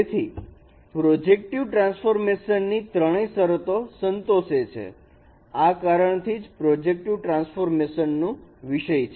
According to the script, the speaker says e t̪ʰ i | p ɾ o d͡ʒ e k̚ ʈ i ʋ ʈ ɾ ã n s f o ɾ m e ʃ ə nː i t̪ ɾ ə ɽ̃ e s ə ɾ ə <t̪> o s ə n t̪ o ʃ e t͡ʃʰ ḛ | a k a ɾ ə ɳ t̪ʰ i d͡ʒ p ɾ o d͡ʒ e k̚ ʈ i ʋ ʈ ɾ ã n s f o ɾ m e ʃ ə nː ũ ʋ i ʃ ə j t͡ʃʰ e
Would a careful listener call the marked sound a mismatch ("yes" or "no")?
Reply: no